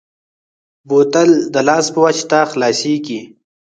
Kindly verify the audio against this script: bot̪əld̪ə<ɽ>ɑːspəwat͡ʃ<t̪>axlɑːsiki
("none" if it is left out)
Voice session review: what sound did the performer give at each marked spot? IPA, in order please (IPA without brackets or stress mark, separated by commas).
l, t̪